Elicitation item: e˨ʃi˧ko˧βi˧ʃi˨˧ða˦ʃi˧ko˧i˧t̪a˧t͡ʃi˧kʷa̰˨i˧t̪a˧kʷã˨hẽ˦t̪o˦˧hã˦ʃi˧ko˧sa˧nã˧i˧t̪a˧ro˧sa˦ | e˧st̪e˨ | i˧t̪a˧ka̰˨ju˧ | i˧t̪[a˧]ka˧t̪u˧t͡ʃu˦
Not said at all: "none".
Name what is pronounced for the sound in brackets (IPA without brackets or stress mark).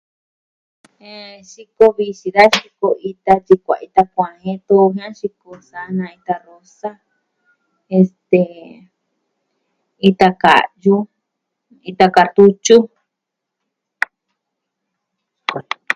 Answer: a˧